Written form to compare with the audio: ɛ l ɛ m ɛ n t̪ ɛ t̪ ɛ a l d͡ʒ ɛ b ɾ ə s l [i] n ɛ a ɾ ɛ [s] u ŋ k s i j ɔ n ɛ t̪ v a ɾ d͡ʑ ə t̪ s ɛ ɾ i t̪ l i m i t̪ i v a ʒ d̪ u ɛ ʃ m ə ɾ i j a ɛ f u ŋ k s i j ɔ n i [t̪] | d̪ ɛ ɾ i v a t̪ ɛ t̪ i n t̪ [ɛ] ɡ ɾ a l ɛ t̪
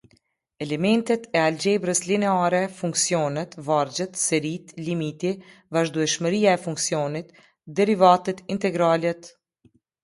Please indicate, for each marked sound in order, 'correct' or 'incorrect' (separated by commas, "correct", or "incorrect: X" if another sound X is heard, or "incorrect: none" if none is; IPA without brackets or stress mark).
correct, incorrect: f, correct, correct